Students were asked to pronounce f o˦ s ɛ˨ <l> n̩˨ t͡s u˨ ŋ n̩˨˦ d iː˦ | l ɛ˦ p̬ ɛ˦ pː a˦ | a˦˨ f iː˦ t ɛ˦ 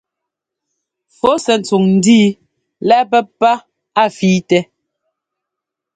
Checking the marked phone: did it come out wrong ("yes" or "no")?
yes